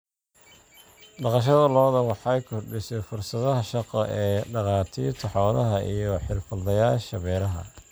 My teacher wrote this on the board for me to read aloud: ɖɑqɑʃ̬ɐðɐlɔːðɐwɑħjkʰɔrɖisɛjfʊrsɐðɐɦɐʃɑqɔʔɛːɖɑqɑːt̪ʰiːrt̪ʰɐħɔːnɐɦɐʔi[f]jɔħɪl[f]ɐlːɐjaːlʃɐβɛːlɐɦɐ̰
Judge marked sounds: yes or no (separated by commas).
no, yes